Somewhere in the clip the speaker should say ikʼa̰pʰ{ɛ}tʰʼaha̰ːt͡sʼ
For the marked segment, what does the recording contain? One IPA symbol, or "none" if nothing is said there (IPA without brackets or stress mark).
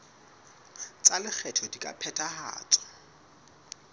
ɛ